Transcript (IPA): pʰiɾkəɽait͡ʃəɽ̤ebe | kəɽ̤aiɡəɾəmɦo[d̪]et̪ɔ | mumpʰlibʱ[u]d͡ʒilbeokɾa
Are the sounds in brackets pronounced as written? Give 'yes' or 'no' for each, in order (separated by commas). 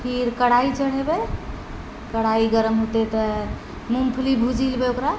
no, yes